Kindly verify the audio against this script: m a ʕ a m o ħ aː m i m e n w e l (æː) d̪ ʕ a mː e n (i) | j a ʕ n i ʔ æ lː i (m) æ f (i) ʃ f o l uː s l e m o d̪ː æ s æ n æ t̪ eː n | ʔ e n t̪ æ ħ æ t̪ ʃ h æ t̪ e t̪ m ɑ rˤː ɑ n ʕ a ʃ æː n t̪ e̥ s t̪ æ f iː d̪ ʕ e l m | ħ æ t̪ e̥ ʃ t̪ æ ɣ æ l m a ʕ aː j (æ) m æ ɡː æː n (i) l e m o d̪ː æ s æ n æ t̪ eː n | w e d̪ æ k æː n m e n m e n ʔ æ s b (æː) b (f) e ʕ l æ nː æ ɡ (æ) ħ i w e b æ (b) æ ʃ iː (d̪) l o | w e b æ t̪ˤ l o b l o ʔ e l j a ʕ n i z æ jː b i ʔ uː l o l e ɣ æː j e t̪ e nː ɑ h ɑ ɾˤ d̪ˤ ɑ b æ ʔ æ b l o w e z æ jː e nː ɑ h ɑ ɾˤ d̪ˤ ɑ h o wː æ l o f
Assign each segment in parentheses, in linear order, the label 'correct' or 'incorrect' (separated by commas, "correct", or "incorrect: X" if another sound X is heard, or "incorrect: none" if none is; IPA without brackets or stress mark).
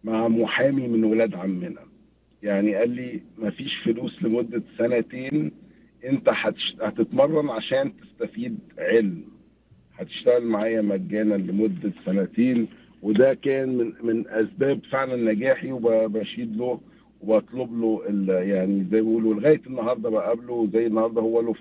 correct, incorrect: æ, correct, incorrect: iː, correct, incorrect: æ, correct, correct, incorrect: æː, correct, correct